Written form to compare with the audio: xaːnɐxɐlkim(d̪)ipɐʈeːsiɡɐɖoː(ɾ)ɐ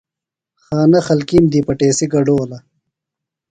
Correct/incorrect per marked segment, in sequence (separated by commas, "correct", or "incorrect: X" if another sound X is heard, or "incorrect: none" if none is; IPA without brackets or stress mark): correct, incorrect: l